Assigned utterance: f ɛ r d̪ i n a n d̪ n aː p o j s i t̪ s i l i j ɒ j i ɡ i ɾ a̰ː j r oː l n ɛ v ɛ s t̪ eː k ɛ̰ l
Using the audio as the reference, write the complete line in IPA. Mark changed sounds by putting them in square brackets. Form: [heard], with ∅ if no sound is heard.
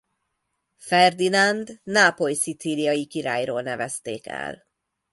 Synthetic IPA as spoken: f ɛ r d̪ i n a n d̪ n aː p o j s i t̪ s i l i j ɒ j i [k] i ɾ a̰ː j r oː l n ɛ v ɛ s t̪ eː k ɛ̰ l